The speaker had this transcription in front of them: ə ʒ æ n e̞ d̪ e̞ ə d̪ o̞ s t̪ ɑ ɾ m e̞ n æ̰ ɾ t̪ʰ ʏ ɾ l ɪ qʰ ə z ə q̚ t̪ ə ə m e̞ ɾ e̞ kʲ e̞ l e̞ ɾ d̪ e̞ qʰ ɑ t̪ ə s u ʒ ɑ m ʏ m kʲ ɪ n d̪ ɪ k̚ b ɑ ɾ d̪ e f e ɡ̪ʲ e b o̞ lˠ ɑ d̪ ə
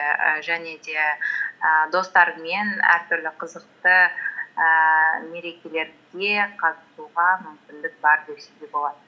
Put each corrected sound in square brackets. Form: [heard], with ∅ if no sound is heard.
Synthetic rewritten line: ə ʒ æ n e̞ d̪ e̞ ə d̪ o̞ s t̪ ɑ ɾ m e̞ n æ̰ ɾ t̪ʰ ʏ ɾ l ɪ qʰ ə z ə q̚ t̪ ə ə m e̞ ɾ e̞ kʲ e̞ l e̞ ɾ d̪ e̞ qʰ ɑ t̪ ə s u [ʁ] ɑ m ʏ m kʲ ɪ n d̪ ɪ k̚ b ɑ ɾ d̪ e [s] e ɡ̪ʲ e b o̞ lˠ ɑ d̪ ə